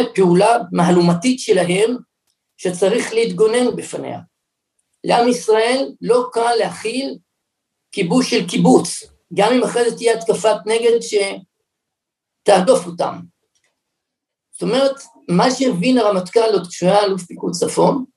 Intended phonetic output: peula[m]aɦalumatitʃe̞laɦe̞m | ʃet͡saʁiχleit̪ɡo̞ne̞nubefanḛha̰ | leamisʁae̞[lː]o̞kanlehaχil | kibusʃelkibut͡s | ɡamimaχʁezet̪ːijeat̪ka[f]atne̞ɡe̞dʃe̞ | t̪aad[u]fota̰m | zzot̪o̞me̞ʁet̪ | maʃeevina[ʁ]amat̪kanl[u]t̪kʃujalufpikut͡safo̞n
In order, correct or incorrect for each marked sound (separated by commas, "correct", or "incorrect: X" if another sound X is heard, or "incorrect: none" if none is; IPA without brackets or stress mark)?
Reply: correct, correct, correct, incorrect: o, correct, incorrect: o